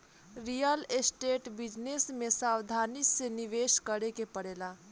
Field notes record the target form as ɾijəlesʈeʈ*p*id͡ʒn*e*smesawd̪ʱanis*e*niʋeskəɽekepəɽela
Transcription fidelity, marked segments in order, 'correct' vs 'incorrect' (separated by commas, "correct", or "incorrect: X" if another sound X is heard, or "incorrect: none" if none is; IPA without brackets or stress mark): incorrect: b, correct, correct